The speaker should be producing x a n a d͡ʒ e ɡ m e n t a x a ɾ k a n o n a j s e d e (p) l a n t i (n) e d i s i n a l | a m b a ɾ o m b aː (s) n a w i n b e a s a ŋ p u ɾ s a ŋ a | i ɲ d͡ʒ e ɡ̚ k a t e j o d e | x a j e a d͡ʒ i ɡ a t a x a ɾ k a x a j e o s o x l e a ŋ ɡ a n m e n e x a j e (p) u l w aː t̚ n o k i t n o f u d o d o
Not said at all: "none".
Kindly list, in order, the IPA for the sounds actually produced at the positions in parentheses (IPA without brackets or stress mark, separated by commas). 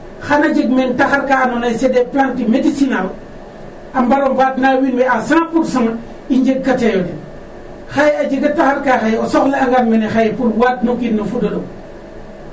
p, m, t, p